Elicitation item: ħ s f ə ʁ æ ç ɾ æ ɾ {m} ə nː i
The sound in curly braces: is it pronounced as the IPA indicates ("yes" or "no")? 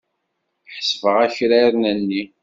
no